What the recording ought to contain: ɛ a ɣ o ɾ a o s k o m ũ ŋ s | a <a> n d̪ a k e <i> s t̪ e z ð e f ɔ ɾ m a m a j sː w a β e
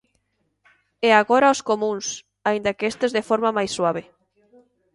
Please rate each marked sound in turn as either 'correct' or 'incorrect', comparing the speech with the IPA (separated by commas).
incorrect, incorrect